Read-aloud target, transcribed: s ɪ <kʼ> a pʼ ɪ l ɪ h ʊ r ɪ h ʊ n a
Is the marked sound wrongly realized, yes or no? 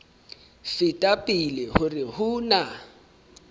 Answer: yes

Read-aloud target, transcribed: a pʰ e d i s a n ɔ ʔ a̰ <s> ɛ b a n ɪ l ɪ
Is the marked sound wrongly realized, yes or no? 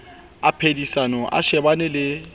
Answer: yes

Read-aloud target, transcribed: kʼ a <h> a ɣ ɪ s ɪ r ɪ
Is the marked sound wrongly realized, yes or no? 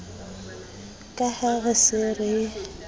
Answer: no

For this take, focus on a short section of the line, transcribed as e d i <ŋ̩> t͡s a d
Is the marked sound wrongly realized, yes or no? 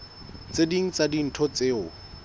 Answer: no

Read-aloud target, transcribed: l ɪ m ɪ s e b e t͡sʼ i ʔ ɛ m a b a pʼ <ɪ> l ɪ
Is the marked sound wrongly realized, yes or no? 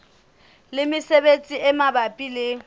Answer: yes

